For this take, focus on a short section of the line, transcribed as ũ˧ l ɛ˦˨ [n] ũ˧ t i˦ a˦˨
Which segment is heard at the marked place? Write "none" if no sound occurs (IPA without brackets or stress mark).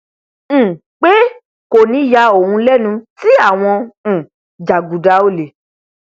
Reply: n